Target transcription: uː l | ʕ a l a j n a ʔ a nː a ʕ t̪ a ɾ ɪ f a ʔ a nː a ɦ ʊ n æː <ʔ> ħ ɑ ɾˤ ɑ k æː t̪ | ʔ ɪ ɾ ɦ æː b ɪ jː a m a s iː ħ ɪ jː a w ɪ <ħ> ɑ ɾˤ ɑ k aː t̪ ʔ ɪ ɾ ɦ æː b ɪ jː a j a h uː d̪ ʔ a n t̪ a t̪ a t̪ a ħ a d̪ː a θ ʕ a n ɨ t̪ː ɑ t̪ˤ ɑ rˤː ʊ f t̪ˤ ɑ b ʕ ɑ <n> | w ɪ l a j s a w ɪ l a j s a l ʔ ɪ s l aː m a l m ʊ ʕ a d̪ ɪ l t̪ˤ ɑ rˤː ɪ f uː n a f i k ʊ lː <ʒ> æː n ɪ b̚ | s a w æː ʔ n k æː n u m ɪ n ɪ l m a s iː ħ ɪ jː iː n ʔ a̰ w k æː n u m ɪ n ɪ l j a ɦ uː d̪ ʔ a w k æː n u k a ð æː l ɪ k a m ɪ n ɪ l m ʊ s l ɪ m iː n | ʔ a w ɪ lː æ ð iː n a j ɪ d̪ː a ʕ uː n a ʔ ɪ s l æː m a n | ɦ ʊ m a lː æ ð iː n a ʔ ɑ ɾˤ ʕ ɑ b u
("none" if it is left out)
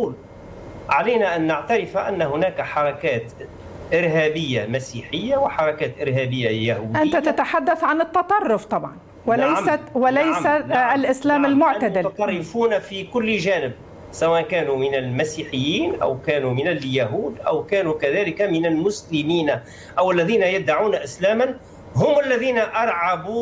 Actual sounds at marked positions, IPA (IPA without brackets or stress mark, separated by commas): k, ħ, n, ʒ